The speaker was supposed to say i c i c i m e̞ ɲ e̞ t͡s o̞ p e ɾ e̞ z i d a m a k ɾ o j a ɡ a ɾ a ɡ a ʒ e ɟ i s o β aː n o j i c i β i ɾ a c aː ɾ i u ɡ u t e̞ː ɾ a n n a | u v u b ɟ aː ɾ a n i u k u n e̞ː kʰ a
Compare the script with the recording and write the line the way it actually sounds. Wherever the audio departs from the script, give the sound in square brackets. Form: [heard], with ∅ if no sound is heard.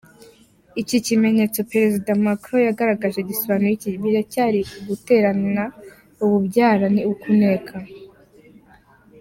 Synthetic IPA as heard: i c i c i m e̞ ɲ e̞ t͡s o̞ p e ɾ e̞ z i d a m a k ɾ o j a ɡ a ɾ a ɡ a ʒ e ɟ i s o β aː n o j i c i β i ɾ a c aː ɾ i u ɡ u t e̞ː ɾ a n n a | u [β] u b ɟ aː ɾ a n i u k u n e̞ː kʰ a